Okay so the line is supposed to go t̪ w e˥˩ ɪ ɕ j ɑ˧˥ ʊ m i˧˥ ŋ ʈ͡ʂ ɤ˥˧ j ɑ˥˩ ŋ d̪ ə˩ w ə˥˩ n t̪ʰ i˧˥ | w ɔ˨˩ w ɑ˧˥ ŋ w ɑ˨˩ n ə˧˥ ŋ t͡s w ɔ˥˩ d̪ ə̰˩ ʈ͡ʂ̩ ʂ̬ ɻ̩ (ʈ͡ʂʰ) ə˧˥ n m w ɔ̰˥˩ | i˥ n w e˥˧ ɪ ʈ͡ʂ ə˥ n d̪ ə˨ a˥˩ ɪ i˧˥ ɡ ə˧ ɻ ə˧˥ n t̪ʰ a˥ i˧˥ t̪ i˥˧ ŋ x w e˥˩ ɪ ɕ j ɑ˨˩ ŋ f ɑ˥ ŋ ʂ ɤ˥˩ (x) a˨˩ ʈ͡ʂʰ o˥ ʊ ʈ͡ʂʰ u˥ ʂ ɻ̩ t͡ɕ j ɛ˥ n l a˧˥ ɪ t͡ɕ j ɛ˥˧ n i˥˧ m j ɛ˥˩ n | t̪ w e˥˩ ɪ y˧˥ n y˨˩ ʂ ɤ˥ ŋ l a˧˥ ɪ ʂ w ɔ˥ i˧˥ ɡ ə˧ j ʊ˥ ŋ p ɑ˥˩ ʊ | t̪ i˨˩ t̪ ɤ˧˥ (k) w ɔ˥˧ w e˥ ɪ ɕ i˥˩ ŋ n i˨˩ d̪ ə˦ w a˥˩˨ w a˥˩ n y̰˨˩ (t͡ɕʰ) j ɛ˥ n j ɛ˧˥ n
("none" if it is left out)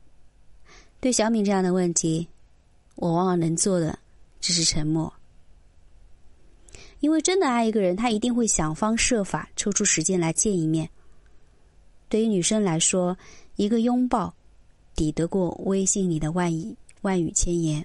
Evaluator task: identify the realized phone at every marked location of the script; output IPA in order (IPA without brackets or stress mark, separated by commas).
ʈ͡ʂʰ, f, k, t͡ɕʰ